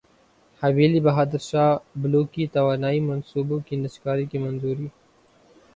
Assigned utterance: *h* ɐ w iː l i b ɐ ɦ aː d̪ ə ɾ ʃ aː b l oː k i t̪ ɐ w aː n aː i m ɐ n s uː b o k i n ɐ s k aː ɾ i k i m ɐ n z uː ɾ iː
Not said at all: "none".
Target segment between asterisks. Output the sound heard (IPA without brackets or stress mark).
h